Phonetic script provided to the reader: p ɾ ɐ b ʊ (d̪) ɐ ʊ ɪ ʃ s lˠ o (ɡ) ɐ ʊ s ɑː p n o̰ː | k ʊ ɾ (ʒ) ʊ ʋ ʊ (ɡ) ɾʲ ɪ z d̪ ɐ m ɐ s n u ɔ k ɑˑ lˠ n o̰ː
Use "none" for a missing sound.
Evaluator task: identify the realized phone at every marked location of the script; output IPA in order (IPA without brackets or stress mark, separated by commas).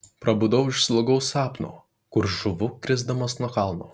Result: d̪, ɡ, ʒ, k